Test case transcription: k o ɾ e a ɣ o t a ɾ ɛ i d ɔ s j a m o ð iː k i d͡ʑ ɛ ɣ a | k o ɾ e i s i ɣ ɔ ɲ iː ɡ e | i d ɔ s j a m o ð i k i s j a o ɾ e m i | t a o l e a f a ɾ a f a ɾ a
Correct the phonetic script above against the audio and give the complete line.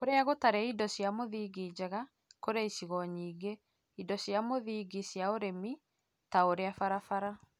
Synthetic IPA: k o ɾ e a ɣ o t a ɾ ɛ i d ɔ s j a m o ð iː ɡ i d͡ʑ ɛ ɣ a | k o ɾ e i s i ɣ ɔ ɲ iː ɡ e | i d ɔ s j a m o ð i ɡ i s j a o ɾ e m i | t a o ɾ e a f a ɾ a f a ɾ a